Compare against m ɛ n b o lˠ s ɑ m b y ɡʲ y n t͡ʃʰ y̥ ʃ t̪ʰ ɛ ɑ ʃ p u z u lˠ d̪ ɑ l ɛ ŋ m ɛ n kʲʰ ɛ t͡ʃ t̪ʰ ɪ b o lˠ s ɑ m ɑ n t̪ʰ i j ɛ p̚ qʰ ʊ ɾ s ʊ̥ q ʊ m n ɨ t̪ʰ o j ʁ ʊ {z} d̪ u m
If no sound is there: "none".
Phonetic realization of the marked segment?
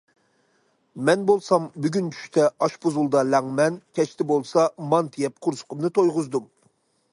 z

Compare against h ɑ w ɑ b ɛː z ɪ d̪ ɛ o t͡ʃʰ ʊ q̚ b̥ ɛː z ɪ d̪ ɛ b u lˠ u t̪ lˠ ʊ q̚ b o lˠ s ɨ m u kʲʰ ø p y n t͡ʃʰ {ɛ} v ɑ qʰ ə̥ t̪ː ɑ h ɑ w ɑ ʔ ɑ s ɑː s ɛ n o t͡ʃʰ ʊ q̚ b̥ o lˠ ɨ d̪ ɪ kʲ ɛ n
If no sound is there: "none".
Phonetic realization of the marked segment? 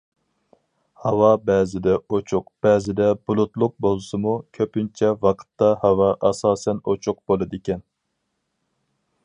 ɛ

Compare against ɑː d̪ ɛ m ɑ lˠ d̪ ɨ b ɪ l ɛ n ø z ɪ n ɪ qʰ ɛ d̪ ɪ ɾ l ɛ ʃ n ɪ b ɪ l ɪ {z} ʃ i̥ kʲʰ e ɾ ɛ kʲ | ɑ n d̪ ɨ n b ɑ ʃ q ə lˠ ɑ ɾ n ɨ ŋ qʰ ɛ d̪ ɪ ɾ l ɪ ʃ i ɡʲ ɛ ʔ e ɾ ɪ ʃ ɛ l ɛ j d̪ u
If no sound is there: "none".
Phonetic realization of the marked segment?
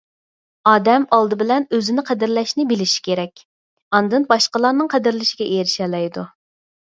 none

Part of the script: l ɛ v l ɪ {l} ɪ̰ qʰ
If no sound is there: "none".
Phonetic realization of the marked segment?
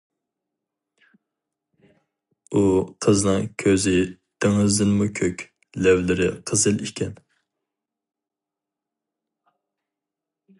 ɾ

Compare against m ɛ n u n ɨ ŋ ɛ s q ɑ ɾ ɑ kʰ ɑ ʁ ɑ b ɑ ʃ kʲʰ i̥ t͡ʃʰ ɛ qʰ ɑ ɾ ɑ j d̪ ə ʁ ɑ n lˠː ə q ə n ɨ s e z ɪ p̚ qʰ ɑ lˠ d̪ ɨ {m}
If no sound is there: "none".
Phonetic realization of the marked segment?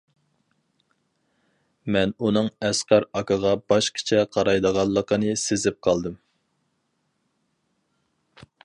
m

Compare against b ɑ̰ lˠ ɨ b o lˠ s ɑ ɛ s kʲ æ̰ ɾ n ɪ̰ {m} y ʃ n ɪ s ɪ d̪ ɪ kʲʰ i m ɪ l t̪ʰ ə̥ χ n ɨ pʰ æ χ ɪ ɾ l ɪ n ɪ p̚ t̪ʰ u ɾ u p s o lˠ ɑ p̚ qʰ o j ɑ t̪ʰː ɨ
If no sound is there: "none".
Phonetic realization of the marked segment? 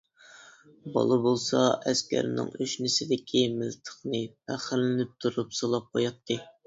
ŋ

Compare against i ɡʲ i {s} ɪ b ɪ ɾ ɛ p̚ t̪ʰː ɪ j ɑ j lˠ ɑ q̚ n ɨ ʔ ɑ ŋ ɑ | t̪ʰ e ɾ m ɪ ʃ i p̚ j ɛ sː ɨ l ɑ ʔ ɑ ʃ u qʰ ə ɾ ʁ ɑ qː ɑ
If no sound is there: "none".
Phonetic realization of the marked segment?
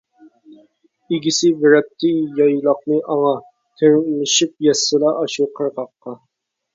s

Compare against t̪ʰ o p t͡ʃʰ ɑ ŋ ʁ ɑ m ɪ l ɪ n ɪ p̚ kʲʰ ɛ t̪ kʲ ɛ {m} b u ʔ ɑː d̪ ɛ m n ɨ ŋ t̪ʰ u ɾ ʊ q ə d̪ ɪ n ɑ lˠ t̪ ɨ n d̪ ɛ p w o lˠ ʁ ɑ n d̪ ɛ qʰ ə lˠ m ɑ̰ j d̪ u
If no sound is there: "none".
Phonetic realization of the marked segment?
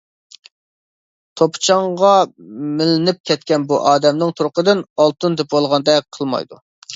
n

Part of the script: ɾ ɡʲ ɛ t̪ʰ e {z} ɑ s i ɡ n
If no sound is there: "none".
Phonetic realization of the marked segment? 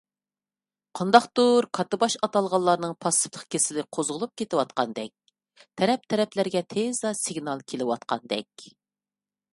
z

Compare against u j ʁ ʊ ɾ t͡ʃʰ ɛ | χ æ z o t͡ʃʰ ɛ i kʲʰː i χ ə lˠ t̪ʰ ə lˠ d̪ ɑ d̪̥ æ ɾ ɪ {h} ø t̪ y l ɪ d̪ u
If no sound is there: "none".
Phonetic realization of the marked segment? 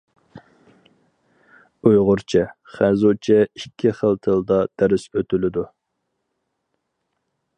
s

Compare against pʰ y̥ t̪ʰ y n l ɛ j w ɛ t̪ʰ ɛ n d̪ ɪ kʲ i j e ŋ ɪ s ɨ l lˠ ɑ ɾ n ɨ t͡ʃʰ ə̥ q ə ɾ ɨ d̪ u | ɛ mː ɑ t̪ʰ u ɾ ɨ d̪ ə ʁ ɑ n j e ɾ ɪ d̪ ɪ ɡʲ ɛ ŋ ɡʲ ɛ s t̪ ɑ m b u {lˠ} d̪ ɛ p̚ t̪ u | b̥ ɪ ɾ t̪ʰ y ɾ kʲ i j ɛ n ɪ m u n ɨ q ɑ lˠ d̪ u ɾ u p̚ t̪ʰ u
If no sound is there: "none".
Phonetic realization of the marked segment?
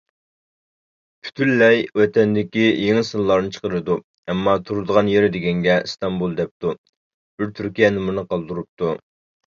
lˠ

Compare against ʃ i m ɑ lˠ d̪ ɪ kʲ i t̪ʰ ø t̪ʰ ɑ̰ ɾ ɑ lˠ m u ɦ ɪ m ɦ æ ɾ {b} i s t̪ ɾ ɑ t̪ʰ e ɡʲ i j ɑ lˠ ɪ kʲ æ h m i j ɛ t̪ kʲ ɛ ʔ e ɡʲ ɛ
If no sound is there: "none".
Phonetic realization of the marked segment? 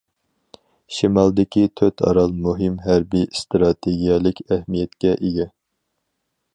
b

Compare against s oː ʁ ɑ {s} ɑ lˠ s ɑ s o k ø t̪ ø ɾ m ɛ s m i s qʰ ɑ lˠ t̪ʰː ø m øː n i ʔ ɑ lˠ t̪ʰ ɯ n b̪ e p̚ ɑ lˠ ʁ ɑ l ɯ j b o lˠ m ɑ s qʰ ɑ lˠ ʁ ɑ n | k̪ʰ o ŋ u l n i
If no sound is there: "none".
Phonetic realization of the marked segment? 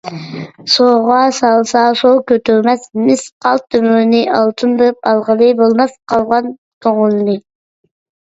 s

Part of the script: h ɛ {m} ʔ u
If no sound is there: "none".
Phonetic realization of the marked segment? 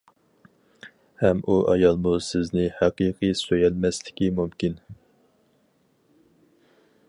m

